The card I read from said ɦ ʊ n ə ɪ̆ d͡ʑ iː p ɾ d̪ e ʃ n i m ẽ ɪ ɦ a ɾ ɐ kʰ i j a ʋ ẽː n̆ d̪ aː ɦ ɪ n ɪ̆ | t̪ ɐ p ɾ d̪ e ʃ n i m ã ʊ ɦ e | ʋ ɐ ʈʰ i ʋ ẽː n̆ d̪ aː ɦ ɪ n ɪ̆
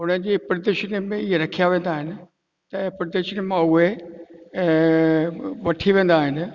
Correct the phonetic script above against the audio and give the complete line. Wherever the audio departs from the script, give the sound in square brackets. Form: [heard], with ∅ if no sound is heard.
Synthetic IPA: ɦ ʊ n ə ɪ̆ d͡ʑ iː p ɾ d̪ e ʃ n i m ẽ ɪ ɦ [e] ɾ ɐ kʰ i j a ʋ ẽː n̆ d̪ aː ɦ ɪ n ɪ̆ | t̪ ɐ p ɾ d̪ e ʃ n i m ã ʊ ɦ e | ʋ ɐ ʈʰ i ʋ ẽː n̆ d̪ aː ɦ ɪ n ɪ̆